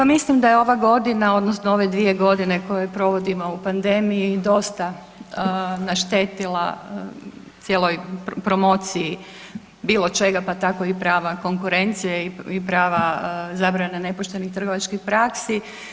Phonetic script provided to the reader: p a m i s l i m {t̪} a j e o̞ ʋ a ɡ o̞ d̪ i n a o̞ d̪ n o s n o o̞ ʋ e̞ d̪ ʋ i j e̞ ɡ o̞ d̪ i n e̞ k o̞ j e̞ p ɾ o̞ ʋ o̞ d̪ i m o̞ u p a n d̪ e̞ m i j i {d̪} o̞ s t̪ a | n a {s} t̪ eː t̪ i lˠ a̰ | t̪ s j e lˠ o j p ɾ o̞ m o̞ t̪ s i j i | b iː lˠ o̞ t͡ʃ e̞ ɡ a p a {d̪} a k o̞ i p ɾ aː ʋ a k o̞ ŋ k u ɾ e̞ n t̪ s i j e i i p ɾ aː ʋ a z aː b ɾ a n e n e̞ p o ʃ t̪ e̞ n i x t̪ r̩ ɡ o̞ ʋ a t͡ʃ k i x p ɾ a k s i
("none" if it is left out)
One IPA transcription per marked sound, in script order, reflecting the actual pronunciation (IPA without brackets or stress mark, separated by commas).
d̪, d̪, ʃ, t̪